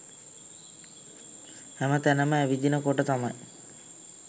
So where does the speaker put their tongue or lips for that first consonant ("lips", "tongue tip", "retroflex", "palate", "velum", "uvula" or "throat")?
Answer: throat